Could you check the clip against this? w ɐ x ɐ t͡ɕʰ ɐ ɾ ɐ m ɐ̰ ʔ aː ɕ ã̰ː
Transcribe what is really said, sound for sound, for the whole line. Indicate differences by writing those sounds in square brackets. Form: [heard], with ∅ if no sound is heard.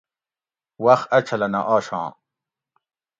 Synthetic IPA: w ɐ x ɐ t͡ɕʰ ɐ [l] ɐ [n] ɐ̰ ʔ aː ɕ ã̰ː